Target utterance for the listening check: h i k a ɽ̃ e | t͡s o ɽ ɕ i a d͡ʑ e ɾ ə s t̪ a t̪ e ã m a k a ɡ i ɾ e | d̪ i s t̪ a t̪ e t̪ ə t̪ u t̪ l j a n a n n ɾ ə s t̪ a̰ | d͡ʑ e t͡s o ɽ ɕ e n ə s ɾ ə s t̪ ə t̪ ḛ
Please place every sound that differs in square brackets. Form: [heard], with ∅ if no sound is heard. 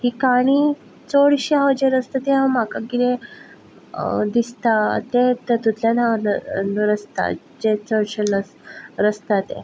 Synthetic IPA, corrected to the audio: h i k a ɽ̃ [i] | t͡s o ɽ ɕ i a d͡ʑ e ɾ ə s t̪ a t̪ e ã m a k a ɡ i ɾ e | d̪ i s t̪ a t̪ e t̪ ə t̪ u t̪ l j a n a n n ɾ ə s t̪ a̰ | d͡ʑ e t͡s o ɽ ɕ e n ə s ɾ ə s t̪ [a] t̪ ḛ